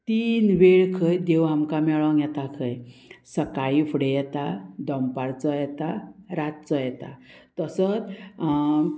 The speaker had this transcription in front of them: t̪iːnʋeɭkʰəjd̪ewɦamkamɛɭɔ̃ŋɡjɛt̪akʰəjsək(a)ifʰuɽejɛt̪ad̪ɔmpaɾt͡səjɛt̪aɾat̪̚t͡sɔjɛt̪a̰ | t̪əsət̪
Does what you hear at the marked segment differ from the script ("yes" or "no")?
no